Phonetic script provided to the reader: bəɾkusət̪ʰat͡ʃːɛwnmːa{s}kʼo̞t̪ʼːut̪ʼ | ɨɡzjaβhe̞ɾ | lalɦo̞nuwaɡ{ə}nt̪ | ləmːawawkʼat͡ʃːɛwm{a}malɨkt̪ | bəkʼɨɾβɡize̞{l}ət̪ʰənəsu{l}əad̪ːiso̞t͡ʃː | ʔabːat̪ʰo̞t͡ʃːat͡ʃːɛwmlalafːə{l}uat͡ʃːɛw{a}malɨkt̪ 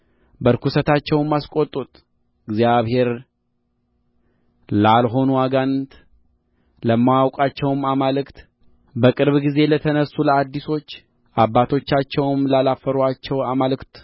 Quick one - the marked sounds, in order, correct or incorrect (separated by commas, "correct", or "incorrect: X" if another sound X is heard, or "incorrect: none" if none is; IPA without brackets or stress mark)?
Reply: correct, incorrect: a, correct, correct, correct, incorrect: ɾ, correct